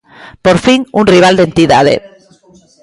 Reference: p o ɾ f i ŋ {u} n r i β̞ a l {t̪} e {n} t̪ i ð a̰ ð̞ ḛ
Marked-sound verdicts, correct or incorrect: correct, incorrect: d̪, correct

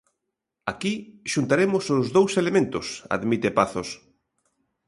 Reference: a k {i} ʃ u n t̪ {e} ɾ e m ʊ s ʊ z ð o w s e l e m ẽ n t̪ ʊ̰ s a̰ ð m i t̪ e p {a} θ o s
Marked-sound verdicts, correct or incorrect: correct, incorrect: a, correct

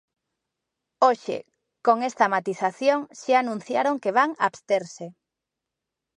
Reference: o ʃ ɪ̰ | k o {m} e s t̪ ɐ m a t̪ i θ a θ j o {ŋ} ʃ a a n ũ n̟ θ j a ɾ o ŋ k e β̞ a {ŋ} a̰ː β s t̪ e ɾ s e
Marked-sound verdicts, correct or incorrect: incorrect: ŋ, correct, correct

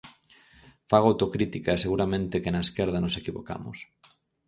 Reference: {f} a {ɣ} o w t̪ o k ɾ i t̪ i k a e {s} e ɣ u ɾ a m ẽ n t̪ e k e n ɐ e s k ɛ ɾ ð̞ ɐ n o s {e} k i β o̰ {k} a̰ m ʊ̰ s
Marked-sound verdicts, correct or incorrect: correct, correct, correct, correct, correct

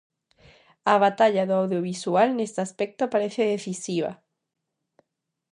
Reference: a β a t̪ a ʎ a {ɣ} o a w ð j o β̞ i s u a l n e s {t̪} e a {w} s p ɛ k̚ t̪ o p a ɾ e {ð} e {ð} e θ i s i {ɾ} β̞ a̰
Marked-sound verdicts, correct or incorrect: incorrect: ð, correct, incorrect: none, incorrect: θ, correct, incorrect: none

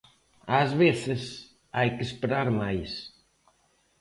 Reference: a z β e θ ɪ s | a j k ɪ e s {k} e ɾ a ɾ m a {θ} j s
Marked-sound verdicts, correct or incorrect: incorrect: p, incorrect: none

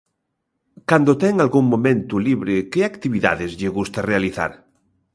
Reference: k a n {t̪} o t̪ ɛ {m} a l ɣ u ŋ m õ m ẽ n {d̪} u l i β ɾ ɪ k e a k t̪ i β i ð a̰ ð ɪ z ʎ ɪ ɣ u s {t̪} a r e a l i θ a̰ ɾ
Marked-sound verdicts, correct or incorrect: incorrect: d̪, incorrect: ŋ, incorrect: t̪, correct

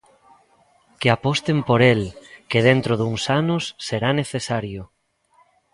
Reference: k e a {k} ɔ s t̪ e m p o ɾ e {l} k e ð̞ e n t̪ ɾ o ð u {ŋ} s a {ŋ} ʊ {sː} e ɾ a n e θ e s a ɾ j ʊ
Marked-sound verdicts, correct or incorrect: incorrect: p, correct, correct, incorrect: n, correct

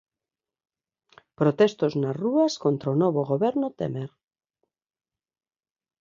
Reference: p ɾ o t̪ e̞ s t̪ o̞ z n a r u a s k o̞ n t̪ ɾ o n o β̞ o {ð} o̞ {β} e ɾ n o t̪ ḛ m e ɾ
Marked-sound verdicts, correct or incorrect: incorrect: ɣ, correct

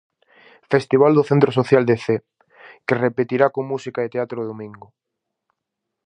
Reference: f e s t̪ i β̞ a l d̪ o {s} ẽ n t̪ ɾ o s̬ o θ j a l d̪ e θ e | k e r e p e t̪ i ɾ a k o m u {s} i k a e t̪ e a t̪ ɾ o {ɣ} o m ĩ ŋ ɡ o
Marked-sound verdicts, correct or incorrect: incorrect: θ, correct, incorrect: ð

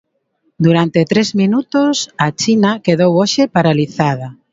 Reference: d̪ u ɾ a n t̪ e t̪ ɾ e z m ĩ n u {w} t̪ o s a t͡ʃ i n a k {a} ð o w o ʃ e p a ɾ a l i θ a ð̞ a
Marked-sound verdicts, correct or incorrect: incorrect: none, incorrect: e

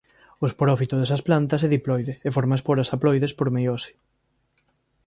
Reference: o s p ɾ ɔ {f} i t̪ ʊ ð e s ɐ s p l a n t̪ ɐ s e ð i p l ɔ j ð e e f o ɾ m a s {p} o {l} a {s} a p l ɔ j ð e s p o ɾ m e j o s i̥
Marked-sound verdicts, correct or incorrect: correct, correct, incorrect: ɾ, correct

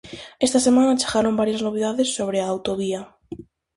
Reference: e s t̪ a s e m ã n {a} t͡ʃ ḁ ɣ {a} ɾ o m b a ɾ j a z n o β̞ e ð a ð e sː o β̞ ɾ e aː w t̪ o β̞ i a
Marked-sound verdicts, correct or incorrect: correct, correct

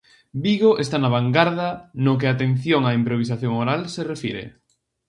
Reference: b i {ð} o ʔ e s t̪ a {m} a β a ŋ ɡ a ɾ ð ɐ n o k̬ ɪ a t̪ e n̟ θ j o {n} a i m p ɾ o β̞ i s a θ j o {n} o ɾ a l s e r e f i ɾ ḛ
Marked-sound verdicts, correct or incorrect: incorrect: ɣ, incorrect: n, incorrect: ŋ, incorrect: ŋ

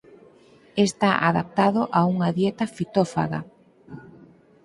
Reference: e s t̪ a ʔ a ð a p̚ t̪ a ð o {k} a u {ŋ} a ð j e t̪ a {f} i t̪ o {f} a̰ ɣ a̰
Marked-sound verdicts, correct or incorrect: incorrect: ʔ, correct, correct, correct

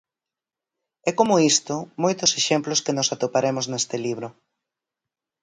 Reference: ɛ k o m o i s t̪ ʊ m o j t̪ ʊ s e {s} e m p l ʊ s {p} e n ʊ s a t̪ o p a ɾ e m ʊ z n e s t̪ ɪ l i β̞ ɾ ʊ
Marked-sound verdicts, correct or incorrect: incorrect: ʃ, incorrect: k

